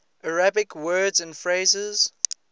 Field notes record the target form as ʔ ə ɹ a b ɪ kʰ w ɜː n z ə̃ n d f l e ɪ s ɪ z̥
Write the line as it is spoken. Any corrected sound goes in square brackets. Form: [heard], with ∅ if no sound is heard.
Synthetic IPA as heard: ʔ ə ɹ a b ɪ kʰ w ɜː [d] z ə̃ n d f [ɹ] e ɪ [z] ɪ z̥